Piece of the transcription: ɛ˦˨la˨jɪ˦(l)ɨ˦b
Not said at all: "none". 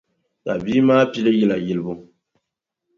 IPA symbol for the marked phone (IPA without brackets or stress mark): l